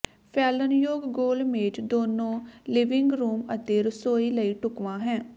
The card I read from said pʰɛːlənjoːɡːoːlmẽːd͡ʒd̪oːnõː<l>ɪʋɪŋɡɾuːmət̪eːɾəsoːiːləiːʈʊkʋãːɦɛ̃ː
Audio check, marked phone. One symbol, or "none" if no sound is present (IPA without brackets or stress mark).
l